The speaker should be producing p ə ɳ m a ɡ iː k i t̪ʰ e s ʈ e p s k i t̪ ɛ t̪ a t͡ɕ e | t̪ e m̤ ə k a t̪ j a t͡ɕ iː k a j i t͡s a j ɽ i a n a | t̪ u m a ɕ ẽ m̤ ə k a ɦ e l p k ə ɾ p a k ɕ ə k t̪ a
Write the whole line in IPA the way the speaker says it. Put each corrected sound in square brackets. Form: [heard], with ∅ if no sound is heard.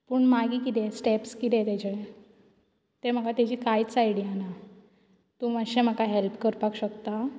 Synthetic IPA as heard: p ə ɳ m a ɡ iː k i [t̪] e s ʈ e p s k i t̪ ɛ t̪ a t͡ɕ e | t̪ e m̤ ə k a t̪ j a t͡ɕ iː k a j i t͡s a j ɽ i a n a | t̪ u m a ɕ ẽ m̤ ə k a ɦ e l p k ə ɾ p a k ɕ ə k t̪ a